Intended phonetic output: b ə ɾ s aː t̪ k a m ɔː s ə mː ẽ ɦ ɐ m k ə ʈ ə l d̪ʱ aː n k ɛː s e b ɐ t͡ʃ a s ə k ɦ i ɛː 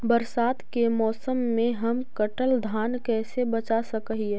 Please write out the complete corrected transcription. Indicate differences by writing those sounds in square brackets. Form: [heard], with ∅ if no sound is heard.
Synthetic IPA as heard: b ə ɾ s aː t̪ k [e] m ɔː s ə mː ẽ ɦ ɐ m k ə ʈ ə l d̪ʱ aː n k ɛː s e b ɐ t͡ʃ a s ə k ɦ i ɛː

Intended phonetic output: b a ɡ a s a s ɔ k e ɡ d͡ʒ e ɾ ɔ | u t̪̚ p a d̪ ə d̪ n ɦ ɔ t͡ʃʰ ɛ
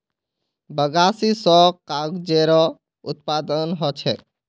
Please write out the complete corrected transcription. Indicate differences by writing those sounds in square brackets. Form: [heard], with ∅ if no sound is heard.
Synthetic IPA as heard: b [ə] ɡ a s [i] s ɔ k [a] ɡ d͡ʒ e ɾ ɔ | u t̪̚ p a d̪ ə [∅] n ɦ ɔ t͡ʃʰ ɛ

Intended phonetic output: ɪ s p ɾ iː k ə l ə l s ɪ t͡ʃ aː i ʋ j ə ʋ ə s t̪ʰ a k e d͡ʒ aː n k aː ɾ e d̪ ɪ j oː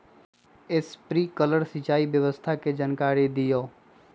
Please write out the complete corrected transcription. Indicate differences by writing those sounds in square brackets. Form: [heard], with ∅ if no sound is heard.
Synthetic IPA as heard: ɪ s p ɾ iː k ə l ə [ɾ] s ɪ t͡ʃ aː i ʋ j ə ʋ ə s t̪ʰ a k e d͡ʒ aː n k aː ɾ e d̪ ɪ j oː

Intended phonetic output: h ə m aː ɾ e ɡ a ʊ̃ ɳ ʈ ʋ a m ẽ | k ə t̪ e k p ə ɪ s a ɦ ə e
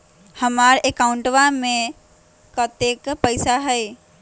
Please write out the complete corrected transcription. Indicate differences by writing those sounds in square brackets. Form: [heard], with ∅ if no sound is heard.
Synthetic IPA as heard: h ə m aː ɾ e [k] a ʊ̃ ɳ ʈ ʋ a m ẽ | k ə t̪ e k p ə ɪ s a ɦ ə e

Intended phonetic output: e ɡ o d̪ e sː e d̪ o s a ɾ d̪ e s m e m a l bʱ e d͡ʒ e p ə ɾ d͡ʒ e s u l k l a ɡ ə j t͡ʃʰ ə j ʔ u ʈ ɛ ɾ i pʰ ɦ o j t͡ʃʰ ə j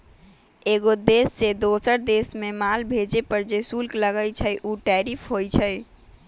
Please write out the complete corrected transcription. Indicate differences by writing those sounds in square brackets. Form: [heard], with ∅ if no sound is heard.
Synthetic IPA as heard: e ɡ o d̪ e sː e d̪ o s [ə] ɾ d̪ e s m e m a l bʱ e d͡ʒ e p ə ɾ d͡ʒ e s u l k l [ə] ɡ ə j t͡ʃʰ ə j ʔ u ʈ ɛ ɾ i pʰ ɦ o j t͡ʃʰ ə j

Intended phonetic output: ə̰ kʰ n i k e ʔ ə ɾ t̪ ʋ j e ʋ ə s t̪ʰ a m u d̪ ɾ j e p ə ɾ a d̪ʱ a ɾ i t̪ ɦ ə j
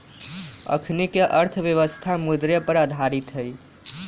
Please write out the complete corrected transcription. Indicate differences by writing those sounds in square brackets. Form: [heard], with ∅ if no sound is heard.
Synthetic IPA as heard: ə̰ kʰ n i k e ʔ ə ɾ [t̪ʰ] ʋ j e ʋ ə s t̪ʰ a m u d̪ ɾ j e p ə ɾ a d̪ʱ a ɾ i t̪ ɦ ə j

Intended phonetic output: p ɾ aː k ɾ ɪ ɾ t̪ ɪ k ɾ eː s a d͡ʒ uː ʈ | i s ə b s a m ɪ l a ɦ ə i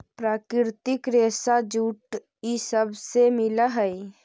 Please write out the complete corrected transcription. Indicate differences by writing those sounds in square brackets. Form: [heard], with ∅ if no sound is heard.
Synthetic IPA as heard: p ɾ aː k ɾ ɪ ɾ t̪ ɪ k ɾ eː s a d͡ʒ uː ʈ | i s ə b s [e] m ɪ l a ɦ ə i

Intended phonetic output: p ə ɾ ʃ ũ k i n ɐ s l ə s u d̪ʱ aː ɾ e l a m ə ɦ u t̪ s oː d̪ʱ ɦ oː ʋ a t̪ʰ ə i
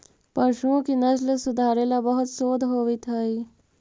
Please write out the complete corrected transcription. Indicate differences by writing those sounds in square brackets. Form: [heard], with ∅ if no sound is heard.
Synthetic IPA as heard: p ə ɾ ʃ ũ k i n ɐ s l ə s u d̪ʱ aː ɾ e l a [b] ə ɦ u t̪ s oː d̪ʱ ɦ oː ʋ [i] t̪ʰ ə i

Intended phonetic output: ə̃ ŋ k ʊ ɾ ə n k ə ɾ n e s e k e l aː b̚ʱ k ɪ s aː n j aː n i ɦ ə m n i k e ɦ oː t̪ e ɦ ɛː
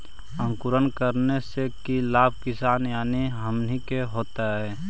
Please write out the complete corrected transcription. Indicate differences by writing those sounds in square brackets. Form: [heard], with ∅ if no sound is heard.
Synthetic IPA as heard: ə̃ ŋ k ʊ ɾ ə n k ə ɾ n e s e k [i] l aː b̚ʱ k ɪ s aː n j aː n i ɦ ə m n i k e ɦ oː t̪ [a] ɦ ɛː

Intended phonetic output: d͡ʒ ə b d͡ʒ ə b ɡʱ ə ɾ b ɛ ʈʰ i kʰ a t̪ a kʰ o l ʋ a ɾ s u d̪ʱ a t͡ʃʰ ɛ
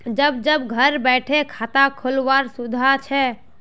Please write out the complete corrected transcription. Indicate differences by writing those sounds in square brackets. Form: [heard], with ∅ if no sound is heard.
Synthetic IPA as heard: d͡ʒ ə b d͡ʒ ə b ɡʱ ə ɾ b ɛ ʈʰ [e] kʰ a t̪ a kʰ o l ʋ a ɾ s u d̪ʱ a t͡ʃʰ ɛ

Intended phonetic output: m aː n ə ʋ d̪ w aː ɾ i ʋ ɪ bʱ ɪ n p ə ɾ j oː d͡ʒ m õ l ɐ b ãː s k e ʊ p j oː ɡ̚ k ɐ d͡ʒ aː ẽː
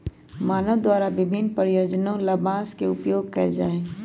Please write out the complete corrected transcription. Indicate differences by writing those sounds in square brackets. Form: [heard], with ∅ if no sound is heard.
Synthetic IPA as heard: m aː n ə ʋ d̪ w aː ɾ [a] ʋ ɪ bʱ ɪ n p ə ɾ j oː d͡ʒ [n] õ l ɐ b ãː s k e ʊ p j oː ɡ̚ k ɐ d͡ʒ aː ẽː

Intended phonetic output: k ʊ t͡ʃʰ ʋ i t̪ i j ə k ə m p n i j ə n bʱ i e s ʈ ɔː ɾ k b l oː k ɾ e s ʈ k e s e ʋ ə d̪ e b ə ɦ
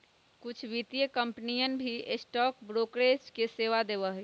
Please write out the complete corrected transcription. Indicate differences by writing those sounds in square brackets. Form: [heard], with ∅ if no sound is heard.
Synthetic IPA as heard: k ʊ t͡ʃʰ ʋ i t̪ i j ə k ə m p n i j ə n bʱ i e s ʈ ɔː [∅] k b [ɾ] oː k ɾ e s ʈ k e s e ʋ [a] d̪ e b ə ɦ

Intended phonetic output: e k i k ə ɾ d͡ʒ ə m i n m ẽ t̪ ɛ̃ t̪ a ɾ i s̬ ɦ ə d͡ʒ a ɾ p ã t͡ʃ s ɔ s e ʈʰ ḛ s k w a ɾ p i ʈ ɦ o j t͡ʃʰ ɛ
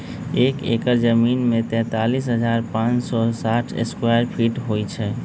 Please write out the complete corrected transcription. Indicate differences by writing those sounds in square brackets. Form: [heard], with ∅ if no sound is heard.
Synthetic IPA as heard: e k [e] k ə ɾ d͡ʒ ə m i n m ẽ t̪ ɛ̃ t̪ a [l] i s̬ ɦ ə d͡ʒ a ɾ p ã t͡ʃ s ɔ s [a] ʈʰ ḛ s k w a ɾ [pʰ] i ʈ ɦ o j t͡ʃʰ ɛ

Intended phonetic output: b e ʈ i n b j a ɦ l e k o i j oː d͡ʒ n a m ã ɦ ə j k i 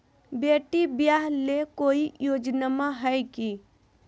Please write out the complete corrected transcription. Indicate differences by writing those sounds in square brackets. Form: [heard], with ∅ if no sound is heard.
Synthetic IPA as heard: b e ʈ i [∅] b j a ɦ l e k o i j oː d͡ʒ n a m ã ɦ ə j k i

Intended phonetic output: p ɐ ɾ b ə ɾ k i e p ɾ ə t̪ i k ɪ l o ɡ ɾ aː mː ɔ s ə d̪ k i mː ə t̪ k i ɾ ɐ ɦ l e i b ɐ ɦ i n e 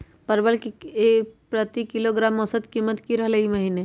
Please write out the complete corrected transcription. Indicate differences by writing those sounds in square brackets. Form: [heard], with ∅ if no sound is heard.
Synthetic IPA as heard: p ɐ ɾ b ə [l] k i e p ɾ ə t̪ i k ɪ l o ɡ ɾ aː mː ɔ s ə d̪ k i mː ə t̪ k i ɾ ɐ ɦ l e i [m] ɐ ɦ i n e

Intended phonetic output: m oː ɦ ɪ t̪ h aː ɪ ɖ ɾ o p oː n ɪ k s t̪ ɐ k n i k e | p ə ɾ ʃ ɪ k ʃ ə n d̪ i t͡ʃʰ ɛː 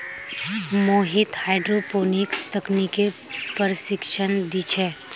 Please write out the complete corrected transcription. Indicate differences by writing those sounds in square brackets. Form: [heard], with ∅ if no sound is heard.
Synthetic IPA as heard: m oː ɦ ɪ t̪ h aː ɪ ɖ ɾ o p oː n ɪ k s t̪ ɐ k n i k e | p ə ɾ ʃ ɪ k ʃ ə n d̪ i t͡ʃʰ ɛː

